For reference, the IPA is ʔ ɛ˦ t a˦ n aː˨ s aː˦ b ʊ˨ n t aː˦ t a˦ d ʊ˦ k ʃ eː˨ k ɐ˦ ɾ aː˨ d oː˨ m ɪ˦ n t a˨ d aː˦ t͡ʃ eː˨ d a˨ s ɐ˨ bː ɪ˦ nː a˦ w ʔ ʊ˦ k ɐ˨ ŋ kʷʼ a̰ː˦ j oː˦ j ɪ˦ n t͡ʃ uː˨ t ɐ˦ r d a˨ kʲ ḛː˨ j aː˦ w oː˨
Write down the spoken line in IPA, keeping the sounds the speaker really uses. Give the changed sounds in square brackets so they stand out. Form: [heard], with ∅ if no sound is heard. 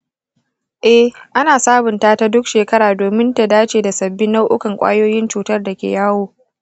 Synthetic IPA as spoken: ʔ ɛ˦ [ʔ] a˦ n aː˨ s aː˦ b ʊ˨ n t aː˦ t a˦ d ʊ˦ k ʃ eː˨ k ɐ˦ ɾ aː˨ d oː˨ m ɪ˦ n t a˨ d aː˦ t͡ʃ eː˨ d a˨ s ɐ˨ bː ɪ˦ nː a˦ w ʔ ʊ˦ k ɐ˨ ŋ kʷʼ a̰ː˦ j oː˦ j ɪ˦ n t͡ʃ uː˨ t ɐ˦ r d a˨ kʲ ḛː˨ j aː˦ w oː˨

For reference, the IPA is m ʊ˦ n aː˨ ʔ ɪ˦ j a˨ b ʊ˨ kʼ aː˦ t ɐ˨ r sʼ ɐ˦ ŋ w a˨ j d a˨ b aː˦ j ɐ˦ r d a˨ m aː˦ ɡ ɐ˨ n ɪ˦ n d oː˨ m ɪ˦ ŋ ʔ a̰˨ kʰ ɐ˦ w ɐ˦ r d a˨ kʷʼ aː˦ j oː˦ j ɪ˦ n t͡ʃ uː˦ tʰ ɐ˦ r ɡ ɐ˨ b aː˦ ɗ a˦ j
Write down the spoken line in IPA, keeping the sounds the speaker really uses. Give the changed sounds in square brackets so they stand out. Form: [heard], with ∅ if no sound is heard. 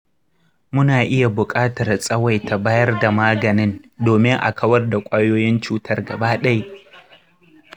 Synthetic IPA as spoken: m ʊ˦ n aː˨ ʔ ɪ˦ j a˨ b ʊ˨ kʼ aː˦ t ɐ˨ r sʼ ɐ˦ [∅] w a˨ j [t] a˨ b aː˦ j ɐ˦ r d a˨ m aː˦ ɡ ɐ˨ n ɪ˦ n d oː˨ m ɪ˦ ŋ ʔ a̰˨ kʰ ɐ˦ w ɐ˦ r d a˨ kʷʼ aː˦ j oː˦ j ɪ˦ n t͡ʃ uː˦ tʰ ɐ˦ r ɡ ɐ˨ b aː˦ ɗ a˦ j

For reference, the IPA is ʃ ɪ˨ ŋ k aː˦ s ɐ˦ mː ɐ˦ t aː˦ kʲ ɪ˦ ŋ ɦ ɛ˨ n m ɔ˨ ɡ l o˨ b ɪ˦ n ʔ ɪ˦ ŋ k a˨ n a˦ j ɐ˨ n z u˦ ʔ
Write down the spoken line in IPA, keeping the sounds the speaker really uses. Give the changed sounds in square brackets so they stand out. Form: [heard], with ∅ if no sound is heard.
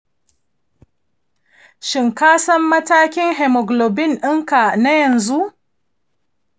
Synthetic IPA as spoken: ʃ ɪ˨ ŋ k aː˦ s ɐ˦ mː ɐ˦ t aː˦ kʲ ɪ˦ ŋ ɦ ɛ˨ [∅] m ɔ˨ ɡ l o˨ b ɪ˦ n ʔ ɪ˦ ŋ k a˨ n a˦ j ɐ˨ n z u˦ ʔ

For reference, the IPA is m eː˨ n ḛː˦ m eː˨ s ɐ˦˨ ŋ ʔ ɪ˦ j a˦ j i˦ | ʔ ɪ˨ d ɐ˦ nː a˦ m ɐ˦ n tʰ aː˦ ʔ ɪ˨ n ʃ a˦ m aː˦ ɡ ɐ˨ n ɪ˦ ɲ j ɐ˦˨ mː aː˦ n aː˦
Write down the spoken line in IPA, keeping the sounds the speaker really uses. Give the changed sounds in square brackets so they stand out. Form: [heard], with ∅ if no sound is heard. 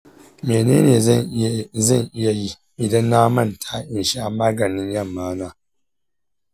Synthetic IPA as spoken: m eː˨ n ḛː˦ [n] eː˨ [z] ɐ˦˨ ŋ ʔ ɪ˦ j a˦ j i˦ | ʔ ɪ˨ d ɐ˦ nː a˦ m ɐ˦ n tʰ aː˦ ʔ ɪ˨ n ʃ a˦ m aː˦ ɡ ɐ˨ n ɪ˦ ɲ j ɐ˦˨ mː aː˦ n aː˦

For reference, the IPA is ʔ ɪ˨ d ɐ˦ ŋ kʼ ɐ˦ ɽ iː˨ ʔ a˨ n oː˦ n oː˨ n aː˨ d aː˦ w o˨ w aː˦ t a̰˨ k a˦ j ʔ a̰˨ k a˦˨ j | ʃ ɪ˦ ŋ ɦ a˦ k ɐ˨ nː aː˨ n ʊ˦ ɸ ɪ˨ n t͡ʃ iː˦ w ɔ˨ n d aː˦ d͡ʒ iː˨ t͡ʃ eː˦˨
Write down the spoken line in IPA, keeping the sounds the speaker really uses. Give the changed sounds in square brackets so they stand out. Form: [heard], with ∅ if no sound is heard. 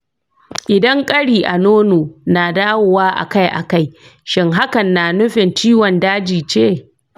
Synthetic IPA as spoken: ʔ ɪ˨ d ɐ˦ ŋ kʼ ɐ˦ ɽ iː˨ ʔ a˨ n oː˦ n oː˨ n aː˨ d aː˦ w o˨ w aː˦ [ʔ] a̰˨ k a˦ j ʔ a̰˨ k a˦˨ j | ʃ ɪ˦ ŋ ɦ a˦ k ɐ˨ nː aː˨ n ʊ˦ ɸ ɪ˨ n t͡ʃ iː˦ w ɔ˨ n d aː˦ d͡ʒ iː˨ t͡ʃ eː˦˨

